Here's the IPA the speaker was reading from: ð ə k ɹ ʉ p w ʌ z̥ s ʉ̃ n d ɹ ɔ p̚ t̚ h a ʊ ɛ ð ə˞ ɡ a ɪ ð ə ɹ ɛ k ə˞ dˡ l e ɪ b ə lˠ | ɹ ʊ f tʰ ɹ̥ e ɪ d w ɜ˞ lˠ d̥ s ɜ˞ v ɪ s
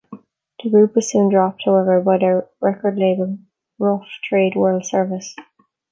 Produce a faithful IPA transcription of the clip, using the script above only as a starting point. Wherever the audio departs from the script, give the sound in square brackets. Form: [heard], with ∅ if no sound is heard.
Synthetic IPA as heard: ð ə [ɡ] ɹ ʉ p w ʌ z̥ s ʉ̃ n d ɹ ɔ p̚ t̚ h a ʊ ɛ [v] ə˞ [b] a ɪ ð ə ɹ ɛ k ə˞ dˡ l e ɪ b ə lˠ | ɹ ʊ f tʰ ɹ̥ e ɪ d w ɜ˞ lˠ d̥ s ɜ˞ v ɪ s

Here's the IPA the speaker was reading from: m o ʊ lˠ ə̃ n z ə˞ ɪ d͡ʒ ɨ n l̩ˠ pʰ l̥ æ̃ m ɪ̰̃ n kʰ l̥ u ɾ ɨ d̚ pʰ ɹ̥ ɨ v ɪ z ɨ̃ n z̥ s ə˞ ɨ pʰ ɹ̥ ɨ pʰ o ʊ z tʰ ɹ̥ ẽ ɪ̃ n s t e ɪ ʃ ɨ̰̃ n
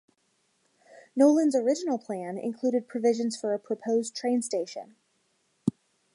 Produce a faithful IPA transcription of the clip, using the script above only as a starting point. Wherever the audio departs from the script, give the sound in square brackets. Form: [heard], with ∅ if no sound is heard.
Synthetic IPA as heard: [n] o ʊ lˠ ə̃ n z ə˞ ɪ d͡ʒ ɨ n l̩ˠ pʰ l̥ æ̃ [n] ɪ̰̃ n kʰ l̥ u ɾ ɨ d̚ pʰ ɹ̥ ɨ v ɪ [ʒ] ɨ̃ n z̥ [f] ə˞ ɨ pʰ ɹ̥ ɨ pʰ o ʊ z tʰ ɹ̥ ẽ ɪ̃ n s t e ɪ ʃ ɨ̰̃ n

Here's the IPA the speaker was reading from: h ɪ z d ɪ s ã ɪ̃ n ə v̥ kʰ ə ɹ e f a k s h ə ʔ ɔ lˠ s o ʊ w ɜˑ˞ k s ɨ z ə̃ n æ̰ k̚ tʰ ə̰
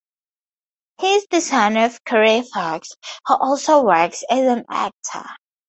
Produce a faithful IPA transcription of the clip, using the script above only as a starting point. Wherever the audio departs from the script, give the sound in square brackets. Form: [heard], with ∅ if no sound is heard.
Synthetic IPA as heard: h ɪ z d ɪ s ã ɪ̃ n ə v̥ kʰ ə ɹ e f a k s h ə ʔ ɔ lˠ s o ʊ w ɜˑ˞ k s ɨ z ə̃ n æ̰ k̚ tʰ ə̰

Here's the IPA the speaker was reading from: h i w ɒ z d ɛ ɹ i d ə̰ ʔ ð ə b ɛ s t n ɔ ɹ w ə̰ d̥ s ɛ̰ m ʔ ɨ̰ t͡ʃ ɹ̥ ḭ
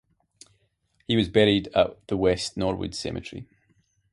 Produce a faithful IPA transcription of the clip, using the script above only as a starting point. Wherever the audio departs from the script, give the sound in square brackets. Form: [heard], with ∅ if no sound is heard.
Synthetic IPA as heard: h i w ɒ z [b] ɛ ɹ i d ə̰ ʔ ð ə [w] ɛ s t n ɔ ɹ w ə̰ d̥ s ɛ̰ m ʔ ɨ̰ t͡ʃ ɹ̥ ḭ

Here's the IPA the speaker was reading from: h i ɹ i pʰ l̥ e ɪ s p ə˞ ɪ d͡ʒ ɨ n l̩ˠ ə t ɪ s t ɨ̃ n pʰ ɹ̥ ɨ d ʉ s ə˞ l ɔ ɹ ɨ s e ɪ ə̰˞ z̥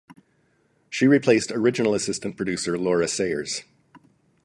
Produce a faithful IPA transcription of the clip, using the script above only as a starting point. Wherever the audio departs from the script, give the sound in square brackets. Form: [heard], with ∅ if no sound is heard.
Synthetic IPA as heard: [ʃ] i ɹ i pʰ l̥ e ɪ s [t] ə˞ ɪ d͡ʒ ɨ n l̩ˠ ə [s] ɪ s t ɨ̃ n pʰ ɹ̥ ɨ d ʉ s ə˞ l ɔ ɹ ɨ s e ɪ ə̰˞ z̥

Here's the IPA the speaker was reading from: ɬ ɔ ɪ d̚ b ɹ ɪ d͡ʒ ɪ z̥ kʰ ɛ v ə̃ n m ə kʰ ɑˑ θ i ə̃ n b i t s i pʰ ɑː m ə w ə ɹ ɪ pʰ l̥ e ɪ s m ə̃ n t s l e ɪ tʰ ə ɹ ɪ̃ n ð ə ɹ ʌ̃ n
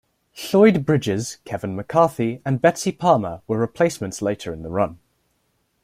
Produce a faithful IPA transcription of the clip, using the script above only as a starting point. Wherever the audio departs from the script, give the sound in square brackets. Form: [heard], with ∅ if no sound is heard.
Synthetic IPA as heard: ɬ ɔ ɪ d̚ b ɹ ɪ d͡ʒ ɪ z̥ kʰ ɛ v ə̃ n m ə kʰ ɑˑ θ i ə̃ n b [ɛ] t s i pʰ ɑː m ə w ə ɹ ɪ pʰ l̥ e ɪ s m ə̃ n t s l e ɪ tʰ ə ɹ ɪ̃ n ð ə ɹ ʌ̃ n

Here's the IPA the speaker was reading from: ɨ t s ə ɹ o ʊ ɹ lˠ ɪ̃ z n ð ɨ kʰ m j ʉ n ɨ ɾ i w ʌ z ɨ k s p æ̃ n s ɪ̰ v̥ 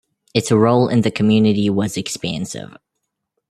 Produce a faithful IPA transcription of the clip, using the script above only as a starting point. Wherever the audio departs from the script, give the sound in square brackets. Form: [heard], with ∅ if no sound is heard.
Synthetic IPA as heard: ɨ t s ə ɹ o ʊ [∅] lˠ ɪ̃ [∅] n ð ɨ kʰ m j ʉ n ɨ ɾ i w ʌ z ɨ k s p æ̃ n s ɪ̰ v̥

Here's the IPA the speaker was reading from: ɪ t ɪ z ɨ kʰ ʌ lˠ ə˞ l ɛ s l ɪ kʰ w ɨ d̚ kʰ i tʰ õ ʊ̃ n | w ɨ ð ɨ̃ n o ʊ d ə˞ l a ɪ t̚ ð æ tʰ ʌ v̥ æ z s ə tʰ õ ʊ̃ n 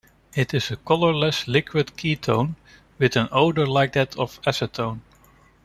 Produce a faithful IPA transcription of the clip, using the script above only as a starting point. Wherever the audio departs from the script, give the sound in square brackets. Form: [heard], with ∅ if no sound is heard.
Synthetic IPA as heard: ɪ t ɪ z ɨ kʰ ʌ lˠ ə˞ l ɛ s l ɪ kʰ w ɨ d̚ kʰ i tʰ õ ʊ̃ n | w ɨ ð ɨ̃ n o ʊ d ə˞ l a ɪ [k̚] ð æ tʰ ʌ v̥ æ [∅] s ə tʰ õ ʊ̃ n

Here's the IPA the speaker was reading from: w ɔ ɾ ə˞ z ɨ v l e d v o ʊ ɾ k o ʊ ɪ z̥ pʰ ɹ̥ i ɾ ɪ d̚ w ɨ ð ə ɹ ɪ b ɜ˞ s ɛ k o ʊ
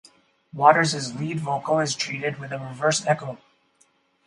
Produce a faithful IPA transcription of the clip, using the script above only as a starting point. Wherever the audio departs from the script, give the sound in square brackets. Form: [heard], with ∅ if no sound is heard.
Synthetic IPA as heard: w ɔ ɾ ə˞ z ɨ [z] l [i] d v o ʊ [∅] k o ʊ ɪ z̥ [tʰ] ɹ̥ i ɾ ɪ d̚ w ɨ ð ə ɹ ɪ [v] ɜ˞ s ɛ k o ʊ

